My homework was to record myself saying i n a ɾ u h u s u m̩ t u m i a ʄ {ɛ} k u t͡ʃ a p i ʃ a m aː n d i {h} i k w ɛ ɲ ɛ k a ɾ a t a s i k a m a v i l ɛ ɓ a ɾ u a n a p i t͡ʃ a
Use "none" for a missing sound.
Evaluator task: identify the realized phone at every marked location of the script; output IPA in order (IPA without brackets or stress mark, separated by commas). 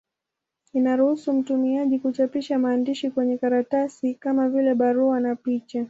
i, ʃ